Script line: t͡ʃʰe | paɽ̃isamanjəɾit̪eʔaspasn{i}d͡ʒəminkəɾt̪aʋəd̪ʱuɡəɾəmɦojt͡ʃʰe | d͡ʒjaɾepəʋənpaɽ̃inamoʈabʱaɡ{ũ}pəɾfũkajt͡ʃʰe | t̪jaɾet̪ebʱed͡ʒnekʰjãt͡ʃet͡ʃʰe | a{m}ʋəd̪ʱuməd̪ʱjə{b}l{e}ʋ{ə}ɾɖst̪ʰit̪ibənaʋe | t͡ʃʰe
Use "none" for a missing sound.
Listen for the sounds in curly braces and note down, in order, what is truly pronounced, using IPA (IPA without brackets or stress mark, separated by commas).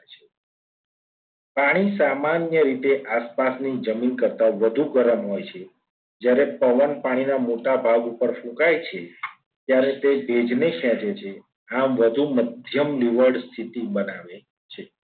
i, u, m, m, i, ə